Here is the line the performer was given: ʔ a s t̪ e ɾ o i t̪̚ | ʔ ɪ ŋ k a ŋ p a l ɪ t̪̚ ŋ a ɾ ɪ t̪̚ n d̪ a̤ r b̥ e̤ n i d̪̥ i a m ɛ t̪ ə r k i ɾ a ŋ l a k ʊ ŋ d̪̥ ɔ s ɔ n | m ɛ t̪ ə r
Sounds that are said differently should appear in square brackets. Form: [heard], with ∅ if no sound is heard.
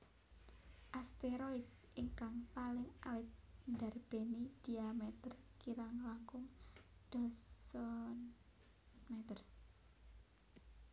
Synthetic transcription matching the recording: ʔ a s t̪ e ɾ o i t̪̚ | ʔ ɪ ŋ k a ŋ p a l ɪ [∅] ŋ a [l] ɪ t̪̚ n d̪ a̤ r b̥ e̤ n i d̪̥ i a m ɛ t̪ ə r k i ɾ a ŋ l a k ʊ ŋ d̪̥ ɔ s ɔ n | m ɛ t̪ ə r